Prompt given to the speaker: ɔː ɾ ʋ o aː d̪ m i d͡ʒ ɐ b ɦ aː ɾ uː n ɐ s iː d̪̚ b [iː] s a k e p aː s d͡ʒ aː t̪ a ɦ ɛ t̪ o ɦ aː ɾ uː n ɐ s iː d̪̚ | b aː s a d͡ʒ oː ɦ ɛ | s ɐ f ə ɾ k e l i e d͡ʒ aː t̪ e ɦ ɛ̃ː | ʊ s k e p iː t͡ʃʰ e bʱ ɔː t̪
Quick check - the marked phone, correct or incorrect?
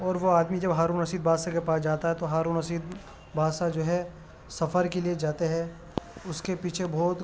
incorrect